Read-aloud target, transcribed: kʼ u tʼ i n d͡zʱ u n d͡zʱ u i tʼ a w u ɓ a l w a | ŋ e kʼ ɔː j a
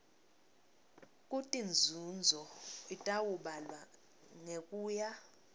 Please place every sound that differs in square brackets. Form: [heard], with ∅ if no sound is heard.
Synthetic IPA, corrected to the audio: kʼ u tʼ i n d͡zʱ u n d͡zʱ [ɔ] i tʼ a w u ɓ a l w a | ŋ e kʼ [uː] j a

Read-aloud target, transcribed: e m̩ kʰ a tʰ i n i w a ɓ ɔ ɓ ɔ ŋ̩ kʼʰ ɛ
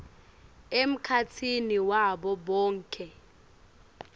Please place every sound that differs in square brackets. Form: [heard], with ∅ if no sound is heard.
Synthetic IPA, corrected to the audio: e m̩ kʰ a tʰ i n i w a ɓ ɔ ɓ [ɔː] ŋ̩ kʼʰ ɛ

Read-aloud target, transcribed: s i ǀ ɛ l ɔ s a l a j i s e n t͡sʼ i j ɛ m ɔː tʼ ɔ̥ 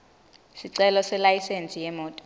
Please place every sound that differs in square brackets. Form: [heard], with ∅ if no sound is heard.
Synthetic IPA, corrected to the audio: s i ǀ ɛ l ɔ s [ɛ] l a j i s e n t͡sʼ i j ɛ m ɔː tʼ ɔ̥

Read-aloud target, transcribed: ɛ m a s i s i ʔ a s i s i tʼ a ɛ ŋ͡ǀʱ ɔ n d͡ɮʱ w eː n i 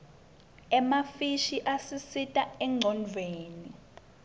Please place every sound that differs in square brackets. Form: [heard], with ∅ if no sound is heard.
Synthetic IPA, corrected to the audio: ɛ m a [f] i [ʃ] i ʔ a s i s i tʼ a ɛ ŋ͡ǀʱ ɔ n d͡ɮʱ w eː n i

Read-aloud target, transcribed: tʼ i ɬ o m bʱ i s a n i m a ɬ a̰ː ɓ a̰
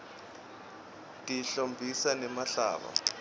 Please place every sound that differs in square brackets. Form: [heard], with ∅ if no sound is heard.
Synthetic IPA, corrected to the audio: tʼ i ɬ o m bʱ i s a n [ɛ] m a ɬ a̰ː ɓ a̰

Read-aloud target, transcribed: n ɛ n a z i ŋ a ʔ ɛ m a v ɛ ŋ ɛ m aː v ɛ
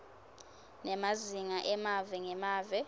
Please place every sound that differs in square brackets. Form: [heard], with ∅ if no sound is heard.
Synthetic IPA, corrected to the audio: n ɛ [m] a z i ŋ a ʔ ɛ m a v ɛ ŋ ɛ m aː v ɛ

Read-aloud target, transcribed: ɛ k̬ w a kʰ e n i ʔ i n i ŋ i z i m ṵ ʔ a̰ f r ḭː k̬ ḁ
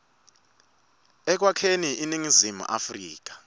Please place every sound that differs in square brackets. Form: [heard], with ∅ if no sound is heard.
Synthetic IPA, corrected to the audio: ɛ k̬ w a kʰ e n i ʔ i n i ŋ i z i m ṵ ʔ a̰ f r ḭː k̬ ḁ

